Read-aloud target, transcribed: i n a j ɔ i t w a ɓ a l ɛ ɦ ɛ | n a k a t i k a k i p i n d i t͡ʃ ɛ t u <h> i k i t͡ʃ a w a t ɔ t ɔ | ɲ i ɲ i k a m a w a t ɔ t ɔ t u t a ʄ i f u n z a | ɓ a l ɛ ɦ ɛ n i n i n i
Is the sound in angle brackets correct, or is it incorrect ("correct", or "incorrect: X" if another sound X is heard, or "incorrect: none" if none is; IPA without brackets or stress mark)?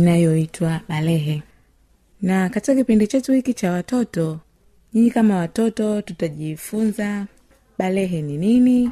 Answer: correct